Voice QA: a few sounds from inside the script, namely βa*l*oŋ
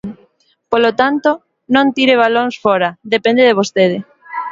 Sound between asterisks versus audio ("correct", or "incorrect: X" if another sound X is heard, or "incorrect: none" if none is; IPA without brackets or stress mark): correct